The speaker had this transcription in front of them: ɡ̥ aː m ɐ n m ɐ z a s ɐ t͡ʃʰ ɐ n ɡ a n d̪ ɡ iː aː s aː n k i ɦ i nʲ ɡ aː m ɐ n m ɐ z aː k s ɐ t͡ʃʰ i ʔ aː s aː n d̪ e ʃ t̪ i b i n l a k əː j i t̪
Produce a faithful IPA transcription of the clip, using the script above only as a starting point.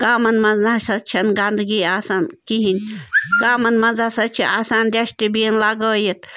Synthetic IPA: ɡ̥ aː m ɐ n m ɐ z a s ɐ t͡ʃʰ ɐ n ɡ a n d̪ ɡ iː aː s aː n k i ɦ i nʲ ɡ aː m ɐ n m ɐ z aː s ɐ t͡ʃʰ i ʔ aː s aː n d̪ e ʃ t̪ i b i n l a ɡ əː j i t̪